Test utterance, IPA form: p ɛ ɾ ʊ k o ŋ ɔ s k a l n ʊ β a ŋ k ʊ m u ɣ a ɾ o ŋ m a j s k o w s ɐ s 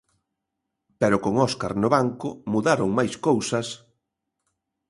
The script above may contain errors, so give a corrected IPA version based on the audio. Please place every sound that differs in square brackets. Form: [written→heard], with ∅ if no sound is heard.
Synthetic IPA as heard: p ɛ ɾ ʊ k o ŋ ɔ s k a [l→ɾ] n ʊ β a ŋ k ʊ m u [ɣ→ð] a ɾ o ŋ m a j s k o w s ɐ s